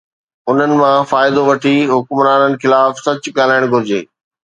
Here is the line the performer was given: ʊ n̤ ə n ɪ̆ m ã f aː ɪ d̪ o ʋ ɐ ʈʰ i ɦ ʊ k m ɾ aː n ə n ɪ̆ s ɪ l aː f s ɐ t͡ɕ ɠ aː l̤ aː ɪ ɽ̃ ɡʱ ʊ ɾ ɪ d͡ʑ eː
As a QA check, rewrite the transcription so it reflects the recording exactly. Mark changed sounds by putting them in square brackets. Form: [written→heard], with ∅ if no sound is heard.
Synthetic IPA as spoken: ʊ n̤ ə n ɪ̆ m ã f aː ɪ d̪ o ʋ ɐ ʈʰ i ɦ ʊ k m ɾ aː n ə n ɪ̆ [s→x] ɪ l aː f s ɐ t͡ɕ ɠ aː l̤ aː ɪ ɽ̃ ɡʱ ʊ ɾ ɪ d͡ʑ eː